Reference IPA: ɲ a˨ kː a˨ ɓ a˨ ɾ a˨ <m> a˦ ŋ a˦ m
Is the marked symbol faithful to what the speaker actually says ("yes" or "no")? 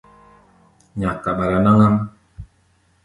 no